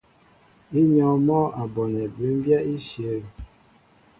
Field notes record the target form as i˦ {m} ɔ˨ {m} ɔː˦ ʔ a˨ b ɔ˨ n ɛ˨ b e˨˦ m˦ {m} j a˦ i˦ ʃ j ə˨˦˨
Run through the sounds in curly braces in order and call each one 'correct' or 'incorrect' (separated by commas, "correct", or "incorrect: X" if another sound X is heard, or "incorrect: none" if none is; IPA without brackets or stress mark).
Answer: incorrect: ɲ, correct, incorrect: b